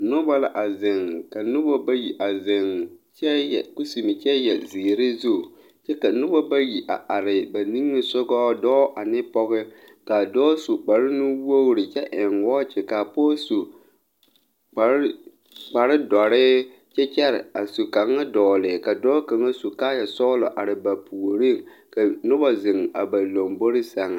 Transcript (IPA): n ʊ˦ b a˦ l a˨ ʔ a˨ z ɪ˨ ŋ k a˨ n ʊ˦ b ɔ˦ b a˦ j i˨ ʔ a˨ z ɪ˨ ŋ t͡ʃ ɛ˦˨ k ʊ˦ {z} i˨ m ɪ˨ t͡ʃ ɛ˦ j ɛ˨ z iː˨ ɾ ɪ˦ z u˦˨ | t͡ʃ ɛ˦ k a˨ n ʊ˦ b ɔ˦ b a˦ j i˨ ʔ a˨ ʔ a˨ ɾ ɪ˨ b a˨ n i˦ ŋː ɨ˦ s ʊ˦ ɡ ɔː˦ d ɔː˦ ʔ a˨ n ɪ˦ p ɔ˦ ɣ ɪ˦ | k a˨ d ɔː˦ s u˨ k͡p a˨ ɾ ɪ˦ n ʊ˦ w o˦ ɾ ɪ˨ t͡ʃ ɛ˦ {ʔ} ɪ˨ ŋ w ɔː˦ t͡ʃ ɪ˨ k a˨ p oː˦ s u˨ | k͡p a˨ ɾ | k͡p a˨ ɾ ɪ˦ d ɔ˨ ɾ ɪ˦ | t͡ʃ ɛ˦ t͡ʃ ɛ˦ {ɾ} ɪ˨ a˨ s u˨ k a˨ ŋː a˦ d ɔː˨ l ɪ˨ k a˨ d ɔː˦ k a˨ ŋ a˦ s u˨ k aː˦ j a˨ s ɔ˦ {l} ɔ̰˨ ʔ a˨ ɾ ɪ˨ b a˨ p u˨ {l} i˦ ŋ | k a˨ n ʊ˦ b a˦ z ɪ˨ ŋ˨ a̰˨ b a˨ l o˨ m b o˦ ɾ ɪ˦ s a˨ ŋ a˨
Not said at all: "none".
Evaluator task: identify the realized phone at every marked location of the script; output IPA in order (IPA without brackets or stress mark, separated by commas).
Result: s, ʔ, ɾ, l, ɾ